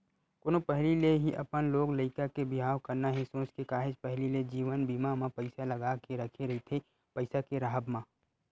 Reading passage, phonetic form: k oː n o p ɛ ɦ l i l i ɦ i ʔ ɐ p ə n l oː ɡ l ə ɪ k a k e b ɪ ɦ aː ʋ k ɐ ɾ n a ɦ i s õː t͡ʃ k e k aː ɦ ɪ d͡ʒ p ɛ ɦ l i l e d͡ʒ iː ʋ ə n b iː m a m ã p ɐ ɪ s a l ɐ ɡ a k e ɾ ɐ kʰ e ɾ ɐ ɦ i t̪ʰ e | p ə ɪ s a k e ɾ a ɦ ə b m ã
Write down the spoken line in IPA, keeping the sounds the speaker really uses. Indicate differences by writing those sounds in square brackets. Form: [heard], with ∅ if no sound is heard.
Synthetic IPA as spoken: k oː n o p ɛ ɦ l i l [e] ɦ i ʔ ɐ p ə n l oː ɡ l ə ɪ k a k e b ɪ ɦ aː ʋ k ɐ ɾ n a ɦ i s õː t͡ʃ k e k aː ɦ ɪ d͡ʒ p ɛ ɦ l i l e d͡ʒ iː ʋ ə n b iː m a m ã p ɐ ɪ s a l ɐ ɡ a k e ɾ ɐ kʰ e ɾ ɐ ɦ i t̪ʰ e | p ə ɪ s a k e ɾ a ɦ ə b m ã